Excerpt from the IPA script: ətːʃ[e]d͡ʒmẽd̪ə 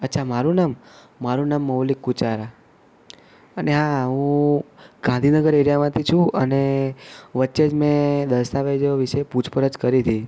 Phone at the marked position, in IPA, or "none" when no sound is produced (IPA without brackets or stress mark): e